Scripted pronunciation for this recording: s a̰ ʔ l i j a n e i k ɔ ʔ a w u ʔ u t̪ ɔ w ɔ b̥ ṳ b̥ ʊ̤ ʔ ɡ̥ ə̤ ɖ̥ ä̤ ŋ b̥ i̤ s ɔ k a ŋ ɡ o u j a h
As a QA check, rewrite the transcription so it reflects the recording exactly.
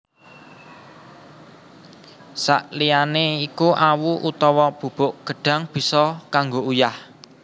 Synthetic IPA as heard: s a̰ ʔ l i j a n e i k u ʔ a w u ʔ u t̪ ɔ w ɔ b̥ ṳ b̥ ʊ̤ ʔ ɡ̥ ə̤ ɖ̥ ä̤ ŋ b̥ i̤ s ɔ k a ŋ ɡ o u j a h